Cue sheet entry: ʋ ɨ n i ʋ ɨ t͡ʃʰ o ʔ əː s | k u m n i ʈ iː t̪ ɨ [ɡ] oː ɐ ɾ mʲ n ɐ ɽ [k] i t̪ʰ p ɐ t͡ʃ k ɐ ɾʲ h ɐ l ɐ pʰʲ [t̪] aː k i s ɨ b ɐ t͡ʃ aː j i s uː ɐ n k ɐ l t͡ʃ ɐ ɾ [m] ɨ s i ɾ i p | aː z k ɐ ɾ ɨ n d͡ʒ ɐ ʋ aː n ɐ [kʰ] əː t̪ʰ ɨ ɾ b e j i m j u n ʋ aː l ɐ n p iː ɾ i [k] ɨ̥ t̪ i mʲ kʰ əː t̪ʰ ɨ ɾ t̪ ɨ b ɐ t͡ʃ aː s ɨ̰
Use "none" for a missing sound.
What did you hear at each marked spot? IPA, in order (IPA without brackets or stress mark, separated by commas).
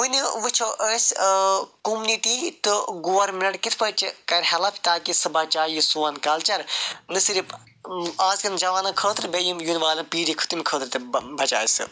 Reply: ɡ, k, t̪, n, kʰ, kʰ